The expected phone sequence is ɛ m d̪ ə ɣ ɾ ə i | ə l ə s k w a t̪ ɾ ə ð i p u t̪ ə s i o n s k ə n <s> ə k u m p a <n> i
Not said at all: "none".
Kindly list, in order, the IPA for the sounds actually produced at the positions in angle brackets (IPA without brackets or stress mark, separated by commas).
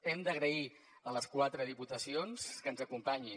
z, ɲ